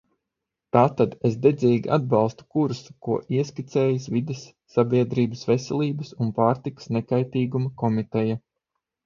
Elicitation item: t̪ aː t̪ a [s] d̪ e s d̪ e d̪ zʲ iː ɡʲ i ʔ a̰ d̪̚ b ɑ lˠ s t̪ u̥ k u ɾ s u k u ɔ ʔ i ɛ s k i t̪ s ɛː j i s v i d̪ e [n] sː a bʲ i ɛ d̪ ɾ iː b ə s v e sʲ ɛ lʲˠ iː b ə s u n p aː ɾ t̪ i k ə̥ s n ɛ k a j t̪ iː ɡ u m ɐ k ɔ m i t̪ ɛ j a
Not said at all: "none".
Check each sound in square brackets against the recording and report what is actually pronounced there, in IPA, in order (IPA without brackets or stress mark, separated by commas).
none, none